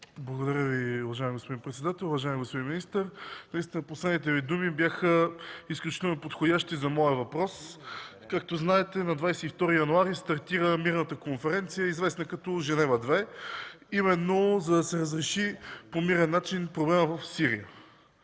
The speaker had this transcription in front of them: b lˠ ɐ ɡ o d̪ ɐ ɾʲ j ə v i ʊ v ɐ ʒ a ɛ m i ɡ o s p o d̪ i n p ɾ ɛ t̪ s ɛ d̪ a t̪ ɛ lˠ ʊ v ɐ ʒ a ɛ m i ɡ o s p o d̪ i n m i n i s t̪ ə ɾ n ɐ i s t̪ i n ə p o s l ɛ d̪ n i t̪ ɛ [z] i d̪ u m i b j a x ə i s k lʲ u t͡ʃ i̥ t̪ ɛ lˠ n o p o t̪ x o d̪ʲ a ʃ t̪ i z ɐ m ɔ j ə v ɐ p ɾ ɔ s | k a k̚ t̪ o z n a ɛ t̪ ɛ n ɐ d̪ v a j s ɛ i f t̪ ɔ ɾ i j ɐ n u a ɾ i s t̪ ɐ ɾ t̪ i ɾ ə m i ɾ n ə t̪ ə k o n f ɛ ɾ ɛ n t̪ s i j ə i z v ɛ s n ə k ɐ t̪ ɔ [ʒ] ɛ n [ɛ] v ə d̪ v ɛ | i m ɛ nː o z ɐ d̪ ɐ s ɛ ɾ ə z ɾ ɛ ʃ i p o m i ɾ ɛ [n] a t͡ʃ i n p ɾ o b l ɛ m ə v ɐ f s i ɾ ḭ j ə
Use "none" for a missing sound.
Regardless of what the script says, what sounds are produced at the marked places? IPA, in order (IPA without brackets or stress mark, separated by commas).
v, ʒ, ɛ, nː